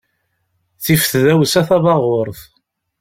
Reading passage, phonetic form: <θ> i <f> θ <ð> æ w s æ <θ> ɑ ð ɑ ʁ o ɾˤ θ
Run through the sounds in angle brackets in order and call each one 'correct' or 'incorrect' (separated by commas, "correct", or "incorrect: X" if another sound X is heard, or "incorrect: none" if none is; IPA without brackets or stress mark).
correct, correct, correct, correct